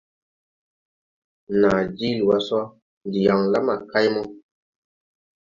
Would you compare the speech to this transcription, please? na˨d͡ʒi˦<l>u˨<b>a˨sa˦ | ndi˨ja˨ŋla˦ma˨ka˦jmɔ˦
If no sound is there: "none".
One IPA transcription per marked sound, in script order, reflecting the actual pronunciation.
l, w

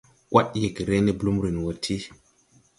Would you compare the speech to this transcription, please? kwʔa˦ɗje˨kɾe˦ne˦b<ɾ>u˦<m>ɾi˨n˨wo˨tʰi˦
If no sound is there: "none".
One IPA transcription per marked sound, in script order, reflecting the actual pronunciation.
l, m

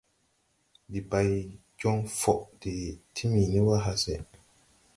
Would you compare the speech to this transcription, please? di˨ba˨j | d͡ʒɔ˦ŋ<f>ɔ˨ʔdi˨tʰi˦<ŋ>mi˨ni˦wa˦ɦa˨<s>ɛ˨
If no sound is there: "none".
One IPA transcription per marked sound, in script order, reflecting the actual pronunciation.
f, none, s

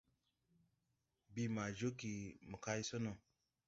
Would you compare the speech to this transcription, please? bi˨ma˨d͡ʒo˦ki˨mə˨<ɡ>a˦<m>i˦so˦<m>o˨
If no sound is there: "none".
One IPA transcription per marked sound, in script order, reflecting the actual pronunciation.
k, none, n

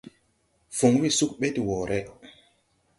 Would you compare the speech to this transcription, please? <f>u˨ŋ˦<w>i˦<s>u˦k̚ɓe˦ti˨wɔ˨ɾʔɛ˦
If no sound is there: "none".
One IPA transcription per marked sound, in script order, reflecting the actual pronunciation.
f, w, s

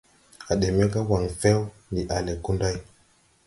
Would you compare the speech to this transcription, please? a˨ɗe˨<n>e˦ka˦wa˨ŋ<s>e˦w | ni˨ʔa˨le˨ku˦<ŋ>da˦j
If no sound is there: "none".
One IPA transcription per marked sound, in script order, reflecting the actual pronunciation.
m, f, n

